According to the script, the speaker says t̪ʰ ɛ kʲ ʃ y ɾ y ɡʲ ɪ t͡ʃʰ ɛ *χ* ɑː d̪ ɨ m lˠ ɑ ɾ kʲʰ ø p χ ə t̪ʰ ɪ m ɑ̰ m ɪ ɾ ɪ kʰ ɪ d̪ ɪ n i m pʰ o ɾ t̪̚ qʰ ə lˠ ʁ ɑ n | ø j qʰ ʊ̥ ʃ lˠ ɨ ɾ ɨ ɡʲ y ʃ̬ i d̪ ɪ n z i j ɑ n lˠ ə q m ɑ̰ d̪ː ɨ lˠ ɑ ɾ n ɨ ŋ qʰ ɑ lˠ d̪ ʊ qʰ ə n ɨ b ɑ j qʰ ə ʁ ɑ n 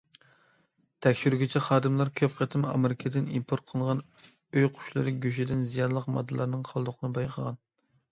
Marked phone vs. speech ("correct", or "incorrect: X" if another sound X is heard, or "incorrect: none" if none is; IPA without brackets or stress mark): correct